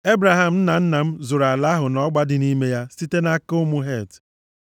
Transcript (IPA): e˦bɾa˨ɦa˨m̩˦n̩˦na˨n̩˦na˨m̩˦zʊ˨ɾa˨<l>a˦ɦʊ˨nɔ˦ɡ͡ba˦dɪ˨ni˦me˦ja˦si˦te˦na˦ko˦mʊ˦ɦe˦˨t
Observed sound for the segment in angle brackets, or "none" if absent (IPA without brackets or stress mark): l